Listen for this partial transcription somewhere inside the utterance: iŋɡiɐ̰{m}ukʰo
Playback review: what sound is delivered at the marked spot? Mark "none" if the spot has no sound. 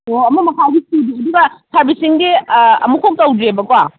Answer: m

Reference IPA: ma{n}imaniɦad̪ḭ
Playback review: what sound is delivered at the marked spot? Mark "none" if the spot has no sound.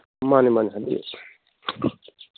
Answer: n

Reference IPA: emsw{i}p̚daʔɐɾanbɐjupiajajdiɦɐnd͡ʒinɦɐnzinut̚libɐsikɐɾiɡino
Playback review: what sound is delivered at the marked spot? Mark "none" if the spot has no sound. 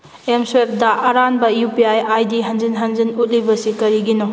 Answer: e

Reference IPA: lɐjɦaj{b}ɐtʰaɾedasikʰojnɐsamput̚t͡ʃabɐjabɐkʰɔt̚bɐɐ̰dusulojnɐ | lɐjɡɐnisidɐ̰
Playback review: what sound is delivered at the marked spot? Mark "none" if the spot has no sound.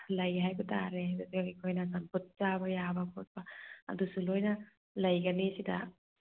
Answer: b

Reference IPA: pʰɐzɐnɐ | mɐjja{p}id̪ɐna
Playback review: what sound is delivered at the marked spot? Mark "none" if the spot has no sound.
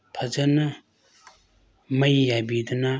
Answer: b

